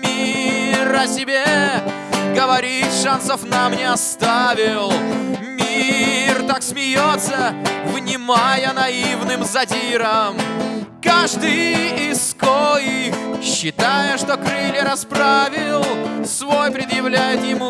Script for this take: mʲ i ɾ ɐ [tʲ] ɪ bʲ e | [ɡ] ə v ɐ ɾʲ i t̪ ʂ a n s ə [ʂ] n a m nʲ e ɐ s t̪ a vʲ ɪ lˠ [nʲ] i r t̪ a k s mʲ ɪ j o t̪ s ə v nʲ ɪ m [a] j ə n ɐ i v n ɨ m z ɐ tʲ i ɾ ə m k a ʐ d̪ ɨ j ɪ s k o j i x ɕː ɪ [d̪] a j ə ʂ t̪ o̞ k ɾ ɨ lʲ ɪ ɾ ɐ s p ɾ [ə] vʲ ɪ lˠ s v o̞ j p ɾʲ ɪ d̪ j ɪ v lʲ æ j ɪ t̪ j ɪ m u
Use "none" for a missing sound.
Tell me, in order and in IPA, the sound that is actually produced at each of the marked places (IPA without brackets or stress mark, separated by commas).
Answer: sʲ, ɡ, f, mʲ, a, t̪, a